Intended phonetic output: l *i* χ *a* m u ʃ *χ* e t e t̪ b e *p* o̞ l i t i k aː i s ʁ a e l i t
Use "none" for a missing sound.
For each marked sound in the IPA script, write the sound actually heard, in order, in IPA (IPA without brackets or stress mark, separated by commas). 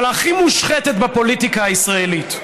a, i, χ, p